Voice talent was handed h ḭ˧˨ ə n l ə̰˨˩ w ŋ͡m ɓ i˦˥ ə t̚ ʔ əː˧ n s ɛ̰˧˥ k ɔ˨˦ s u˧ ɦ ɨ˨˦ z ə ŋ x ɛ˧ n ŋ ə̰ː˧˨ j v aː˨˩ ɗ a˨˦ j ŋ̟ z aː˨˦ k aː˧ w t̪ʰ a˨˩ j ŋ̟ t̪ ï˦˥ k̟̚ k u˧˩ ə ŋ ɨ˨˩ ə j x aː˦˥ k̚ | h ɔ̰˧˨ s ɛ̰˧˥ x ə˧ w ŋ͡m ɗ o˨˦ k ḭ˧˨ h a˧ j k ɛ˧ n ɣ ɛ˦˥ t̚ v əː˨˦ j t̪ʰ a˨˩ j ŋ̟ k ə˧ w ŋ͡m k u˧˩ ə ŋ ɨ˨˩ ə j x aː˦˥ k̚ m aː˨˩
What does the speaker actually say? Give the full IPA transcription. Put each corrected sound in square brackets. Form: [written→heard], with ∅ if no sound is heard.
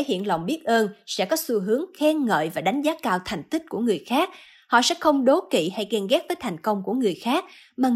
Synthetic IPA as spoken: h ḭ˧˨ ə n l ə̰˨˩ w ŋ͡m ɓ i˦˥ ə t̚ ʔ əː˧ n s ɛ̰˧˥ k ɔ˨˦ s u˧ ɦ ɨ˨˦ [z→∅] ə ŋ x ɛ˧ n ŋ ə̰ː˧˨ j v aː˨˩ ɗ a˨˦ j ŋ̟ z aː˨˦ k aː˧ w t̪ʰ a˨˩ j ŋ̟ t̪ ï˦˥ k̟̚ k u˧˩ ə ŋ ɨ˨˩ ə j x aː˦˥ k̚ | h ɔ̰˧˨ s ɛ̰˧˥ x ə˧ w ŋ͡m ɗ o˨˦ k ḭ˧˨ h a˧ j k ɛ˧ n ɣ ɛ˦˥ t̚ v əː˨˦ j t̪ʰ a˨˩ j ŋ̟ k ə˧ w ŋ͡m k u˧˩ ə ŋ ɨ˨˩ ə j x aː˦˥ k̚ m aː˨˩